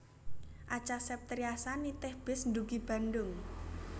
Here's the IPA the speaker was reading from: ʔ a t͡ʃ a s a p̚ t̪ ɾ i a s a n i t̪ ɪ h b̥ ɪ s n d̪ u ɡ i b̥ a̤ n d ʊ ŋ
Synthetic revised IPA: ʔ a t͡ʃ a s ɛ p̚ t̪ ɾ i a s a n i t̪ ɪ h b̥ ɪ s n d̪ u ɡ i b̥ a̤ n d ʊ ŋ